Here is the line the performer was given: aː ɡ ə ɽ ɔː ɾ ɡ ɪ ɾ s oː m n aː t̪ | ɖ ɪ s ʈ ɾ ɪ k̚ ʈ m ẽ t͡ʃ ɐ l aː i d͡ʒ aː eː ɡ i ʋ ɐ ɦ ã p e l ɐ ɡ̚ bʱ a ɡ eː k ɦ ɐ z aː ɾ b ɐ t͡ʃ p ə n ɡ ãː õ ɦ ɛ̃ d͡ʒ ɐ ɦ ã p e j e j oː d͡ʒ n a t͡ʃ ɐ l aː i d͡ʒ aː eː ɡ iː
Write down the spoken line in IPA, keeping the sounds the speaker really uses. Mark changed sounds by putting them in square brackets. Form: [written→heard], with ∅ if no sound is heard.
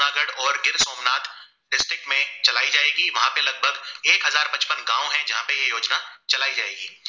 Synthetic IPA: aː ɡ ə ɽ ɔː ɾ ɡ ɪ ɾ s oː m n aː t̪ | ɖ ɪ s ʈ ɾ ɪ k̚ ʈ m ẽ t͡ʃ ɐ l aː i d͡ʒ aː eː ɡ i ʋ ɐ ɦ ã p e l ɐ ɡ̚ bʱ [a→ə] ɡ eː k ɦ ɐ z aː ɾ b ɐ t͡ʃ p ə n ɡ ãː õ ɦ ɛ̃ d͡ʒ ɐ ɦ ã p e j e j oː d͡ʒ n a t͡ʃ ɐ l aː i d͡ʒ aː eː ɡ iː